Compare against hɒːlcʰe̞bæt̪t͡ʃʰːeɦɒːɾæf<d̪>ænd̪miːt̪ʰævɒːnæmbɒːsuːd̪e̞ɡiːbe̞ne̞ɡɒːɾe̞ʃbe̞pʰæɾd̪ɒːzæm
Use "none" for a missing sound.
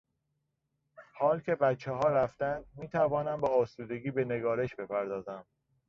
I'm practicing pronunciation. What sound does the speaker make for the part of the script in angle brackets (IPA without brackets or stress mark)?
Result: t̪